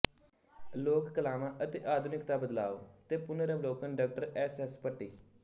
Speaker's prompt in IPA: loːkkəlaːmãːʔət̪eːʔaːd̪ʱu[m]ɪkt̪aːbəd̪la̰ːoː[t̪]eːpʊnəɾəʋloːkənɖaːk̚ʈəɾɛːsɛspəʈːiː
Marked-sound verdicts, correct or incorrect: incorrect: n, correct

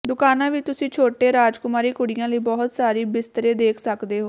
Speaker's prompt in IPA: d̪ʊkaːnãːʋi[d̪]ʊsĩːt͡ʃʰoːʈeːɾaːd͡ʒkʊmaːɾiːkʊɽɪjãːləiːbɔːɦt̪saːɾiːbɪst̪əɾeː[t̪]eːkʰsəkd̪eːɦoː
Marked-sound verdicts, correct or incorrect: incorrect: t̪, incorrect: d̪

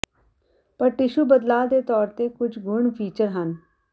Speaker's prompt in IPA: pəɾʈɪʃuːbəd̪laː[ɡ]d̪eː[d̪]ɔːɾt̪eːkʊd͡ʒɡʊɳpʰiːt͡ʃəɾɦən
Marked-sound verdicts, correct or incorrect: incorrect: none, incorrect: t̪

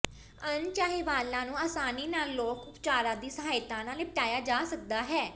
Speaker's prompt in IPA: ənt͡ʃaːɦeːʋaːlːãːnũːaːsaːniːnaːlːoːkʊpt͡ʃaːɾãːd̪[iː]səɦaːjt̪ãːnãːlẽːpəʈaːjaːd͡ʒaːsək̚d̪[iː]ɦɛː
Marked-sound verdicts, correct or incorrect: correct, incorrect: aː

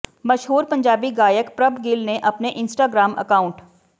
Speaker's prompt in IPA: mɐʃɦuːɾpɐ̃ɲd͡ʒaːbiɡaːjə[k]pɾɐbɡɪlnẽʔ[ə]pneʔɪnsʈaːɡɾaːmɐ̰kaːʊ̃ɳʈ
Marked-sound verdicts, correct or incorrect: correct, incorrect: ɐ

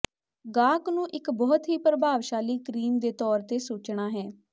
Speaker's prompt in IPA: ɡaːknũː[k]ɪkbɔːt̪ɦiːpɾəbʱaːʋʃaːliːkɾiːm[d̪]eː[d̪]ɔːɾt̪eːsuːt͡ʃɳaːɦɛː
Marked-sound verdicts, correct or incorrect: incorrect: ʔ, correct, incorrect: t̪

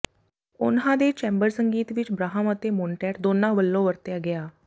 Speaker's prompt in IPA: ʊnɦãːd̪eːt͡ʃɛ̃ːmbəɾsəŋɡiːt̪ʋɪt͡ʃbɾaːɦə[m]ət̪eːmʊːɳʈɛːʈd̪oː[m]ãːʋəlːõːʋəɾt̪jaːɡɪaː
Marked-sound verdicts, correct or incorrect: correct, incorrect: n

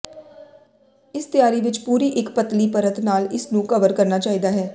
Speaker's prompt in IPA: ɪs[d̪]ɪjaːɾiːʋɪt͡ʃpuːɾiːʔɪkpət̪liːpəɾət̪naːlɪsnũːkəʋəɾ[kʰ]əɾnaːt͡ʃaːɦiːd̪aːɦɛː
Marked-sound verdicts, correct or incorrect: incorrect: t̪, incorrect: k

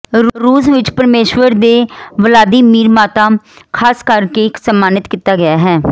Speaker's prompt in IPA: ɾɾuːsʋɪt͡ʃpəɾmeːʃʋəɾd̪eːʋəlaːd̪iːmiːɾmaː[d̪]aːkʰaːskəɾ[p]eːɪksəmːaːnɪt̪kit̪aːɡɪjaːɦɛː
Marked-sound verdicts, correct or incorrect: incorrect: t̪, incorrect: k

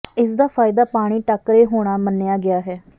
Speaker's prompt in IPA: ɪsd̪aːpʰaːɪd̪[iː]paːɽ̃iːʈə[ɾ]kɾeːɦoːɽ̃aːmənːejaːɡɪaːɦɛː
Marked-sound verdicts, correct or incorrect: incorrect: aː, incorrect: none

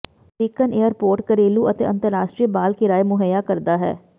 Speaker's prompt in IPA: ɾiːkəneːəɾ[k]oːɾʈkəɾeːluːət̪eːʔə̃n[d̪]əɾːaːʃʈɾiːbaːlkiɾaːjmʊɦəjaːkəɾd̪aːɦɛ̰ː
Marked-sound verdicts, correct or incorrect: incorrect: p, incorrect: t̪

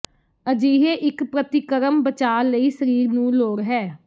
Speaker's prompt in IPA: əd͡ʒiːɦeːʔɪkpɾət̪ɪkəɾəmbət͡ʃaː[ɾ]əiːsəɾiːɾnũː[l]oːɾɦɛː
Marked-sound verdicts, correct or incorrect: incorrect: l, correct

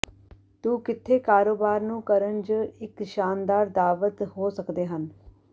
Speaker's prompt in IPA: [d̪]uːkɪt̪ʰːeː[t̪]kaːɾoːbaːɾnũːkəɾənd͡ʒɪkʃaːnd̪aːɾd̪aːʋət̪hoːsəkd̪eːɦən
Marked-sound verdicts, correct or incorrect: incorrect: t̪, incorrect: none

